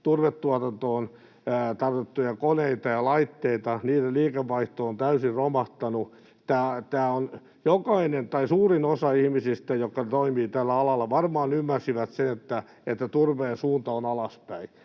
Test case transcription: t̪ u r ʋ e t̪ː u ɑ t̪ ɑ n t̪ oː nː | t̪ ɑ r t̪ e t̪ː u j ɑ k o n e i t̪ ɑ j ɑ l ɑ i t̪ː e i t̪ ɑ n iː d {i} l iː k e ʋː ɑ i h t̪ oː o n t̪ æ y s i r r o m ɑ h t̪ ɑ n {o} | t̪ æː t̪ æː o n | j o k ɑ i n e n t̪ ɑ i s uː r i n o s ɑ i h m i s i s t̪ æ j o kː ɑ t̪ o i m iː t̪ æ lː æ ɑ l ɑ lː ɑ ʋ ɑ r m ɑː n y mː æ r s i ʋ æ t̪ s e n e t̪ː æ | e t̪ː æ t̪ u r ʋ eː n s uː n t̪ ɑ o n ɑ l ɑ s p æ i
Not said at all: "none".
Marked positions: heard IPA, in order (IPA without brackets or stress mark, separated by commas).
e, u